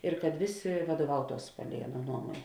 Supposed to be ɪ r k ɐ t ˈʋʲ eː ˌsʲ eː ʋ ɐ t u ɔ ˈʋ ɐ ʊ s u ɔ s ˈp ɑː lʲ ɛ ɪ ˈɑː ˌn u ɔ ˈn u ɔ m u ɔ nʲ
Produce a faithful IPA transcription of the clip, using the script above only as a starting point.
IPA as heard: ɪ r k ɐ t ˈʋʲ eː ˌsʲ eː ʋ ɐ d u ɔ ˈʋ ɐ ʊ t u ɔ s ˈp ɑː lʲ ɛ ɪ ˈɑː ˌn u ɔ ˈn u ɔ m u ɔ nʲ